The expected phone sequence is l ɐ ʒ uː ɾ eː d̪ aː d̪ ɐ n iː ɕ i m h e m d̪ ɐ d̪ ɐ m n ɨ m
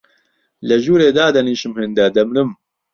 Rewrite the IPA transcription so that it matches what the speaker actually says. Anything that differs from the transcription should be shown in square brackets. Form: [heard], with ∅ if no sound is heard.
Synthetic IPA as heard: l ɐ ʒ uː ɾ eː d̪ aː d̪ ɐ n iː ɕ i m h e [n] d̪ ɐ d̪ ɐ m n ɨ m